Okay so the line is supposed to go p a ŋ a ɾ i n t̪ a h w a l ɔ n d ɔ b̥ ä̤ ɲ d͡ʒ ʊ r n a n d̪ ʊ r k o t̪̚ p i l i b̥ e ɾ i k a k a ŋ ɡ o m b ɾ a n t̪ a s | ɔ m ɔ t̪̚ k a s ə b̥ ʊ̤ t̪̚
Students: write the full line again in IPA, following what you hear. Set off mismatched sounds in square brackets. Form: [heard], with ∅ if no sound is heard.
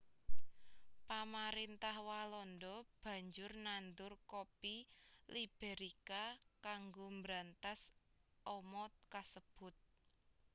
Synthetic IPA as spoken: p a [m] a ɾ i n t̪ a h w a l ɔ n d ɔ b̥ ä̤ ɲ d͡ʒ ʊ r n a n d̪ ʊ r k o [∅] p i l i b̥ e ɾ i k a k a ŋ ɡ o m b ɾ a n t̪ a s | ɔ m ɔ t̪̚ k a s ə b̥ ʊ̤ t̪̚